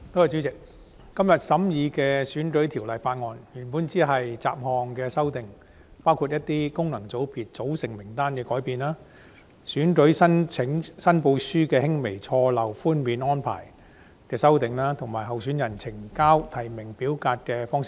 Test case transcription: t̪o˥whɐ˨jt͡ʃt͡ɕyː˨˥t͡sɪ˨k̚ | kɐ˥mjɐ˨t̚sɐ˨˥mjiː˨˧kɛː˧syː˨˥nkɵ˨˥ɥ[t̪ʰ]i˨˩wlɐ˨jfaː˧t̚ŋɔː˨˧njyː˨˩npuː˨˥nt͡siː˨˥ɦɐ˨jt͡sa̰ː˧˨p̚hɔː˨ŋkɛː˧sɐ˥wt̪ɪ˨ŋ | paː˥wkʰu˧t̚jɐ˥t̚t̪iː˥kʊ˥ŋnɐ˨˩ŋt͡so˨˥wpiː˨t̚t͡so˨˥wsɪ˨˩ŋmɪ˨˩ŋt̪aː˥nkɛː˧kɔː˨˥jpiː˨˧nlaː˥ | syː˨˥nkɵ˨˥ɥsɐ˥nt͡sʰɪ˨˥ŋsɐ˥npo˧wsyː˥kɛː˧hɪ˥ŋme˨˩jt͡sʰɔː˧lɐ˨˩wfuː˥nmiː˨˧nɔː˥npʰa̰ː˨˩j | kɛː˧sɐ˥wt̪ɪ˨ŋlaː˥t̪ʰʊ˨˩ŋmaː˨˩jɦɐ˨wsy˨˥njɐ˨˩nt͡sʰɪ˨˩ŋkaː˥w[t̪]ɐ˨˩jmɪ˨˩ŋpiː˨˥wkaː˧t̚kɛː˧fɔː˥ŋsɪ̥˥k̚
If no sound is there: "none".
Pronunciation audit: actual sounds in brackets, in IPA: t̪ʰ, t̪ʰ

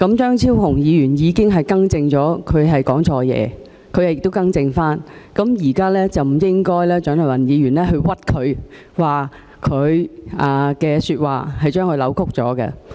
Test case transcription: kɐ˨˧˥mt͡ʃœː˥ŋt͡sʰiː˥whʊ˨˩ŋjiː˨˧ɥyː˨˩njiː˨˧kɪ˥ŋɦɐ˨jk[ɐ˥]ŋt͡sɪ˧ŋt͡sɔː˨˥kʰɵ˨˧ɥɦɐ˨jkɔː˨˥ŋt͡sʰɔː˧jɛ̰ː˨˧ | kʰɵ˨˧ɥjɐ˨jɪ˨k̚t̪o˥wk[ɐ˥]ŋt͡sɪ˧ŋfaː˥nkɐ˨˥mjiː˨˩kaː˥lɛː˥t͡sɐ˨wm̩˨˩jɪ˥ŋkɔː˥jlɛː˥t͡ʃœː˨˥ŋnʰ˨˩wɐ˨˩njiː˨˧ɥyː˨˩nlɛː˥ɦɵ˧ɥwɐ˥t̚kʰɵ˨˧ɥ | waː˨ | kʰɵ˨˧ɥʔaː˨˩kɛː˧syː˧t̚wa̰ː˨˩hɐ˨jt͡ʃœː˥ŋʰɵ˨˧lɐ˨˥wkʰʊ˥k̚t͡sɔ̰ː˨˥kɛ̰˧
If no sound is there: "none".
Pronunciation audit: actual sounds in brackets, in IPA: ɐ˥, ɐ˥

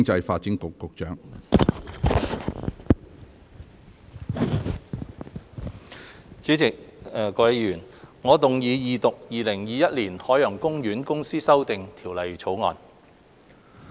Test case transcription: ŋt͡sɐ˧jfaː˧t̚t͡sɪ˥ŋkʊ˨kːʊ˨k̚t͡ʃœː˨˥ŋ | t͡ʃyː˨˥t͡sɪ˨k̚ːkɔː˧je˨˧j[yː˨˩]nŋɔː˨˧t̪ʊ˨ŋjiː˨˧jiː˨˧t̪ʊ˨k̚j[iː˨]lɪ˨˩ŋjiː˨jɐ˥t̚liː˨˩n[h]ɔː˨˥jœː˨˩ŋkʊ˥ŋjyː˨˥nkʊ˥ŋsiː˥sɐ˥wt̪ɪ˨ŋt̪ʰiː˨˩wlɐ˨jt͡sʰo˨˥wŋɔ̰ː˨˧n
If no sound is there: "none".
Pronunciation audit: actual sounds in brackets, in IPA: yː˨˩, iː˨, h

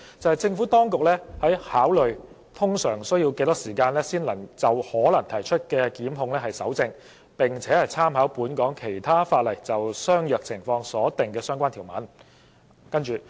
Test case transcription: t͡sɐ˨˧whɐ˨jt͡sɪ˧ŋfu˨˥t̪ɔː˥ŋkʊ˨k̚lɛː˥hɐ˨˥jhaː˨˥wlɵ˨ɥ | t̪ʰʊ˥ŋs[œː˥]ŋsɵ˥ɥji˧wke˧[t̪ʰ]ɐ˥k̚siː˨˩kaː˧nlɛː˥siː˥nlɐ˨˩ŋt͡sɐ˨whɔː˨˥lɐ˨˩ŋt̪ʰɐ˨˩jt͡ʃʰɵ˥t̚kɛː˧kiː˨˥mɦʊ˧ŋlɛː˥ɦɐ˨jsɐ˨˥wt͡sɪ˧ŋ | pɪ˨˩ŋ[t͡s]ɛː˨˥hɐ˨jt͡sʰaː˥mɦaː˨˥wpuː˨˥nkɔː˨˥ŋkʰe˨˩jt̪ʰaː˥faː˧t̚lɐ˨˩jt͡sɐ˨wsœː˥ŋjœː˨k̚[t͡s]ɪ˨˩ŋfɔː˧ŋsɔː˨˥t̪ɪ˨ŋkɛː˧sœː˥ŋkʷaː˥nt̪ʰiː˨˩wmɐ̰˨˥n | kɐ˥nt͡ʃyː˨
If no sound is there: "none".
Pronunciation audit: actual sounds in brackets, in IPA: œː˨˩, t̪, t͡sʰ, t͡sʰ

